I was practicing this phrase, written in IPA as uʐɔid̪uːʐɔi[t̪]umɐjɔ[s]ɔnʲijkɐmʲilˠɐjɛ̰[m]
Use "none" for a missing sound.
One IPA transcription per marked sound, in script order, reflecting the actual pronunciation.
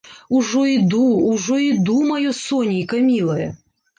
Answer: d̪, s, none

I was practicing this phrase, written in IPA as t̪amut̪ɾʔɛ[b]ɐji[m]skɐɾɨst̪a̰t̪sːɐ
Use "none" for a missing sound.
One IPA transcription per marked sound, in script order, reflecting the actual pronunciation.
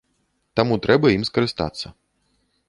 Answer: b, m

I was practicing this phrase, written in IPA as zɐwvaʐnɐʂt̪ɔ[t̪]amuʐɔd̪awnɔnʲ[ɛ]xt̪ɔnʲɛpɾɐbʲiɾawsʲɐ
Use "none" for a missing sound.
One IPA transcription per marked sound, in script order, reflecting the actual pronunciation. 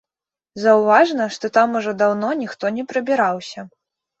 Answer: t̪, i

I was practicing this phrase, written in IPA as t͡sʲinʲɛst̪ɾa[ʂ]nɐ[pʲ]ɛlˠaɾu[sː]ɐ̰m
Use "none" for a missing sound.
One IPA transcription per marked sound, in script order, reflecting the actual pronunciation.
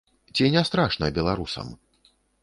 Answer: ʂ, bʲ, s

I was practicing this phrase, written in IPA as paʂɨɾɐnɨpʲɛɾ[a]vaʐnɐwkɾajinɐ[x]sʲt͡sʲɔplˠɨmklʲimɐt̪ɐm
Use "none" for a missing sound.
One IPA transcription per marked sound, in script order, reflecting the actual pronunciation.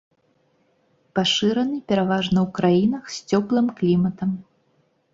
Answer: a, x

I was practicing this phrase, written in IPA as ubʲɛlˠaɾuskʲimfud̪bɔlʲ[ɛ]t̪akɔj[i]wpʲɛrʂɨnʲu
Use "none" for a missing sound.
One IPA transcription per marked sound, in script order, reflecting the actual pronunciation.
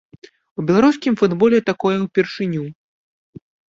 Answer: ɛ, ɛ

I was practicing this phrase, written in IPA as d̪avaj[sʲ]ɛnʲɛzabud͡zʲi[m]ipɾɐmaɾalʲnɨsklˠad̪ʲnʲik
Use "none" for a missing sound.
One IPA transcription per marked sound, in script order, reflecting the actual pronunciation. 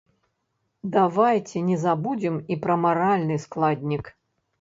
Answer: t͡sʲ, m

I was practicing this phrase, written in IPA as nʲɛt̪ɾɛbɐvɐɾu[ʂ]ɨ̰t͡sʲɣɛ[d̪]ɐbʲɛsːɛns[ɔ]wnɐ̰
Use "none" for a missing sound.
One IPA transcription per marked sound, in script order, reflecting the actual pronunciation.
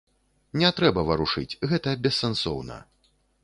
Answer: ʂ, t̪, ɔ

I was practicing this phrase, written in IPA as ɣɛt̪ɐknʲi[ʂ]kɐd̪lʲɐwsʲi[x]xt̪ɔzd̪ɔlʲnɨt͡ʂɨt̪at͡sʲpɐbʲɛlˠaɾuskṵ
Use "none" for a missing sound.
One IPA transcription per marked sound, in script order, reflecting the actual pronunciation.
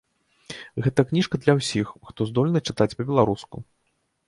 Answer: ʂ, x

